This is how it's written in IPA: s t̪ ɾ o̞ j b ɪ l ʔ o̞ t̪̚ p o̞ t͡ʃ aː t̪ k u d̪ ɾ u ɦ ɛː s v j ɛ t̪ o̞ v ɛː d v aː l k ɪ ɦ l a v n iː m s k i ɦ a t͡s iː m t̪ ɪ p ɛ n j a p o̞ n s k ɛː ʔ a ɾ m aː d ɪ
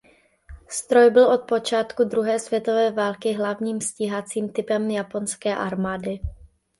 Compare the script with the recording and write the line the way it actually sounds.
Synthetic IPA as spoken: s t̪ ɾ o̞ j b ɪ l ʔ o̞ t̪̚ p o̞ t͡ʃ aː t̪ k u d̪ ɾ u ɦ ɛː s v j ɛ t̪ o̞ v ɛː v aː l k ɪ ɦ l a v ɲ iː m s c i ɦ a t͡s iː m t̪ ɪ p ɛ m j a p o̞ n s k ɛː ʔ a ɾ m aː d ɪ